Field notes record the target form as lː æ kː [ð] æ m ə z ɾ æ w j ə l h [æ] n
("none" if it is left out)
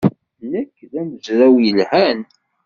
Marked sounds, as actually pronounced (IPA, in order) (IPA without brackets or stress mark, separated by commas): ð, æ